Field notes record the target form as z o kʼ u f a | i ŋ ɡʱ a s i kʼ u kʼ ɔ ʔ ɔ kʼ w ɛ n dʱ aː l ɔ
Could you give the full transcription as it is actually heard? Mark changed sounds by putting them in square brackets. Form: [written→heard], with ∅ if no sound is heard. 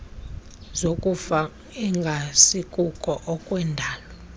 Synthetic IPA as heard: z o kʼ u f a | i ŋ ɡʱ a s i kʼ u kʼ ɔ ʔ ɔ kʼ w ɛ n dʱ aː l ɔ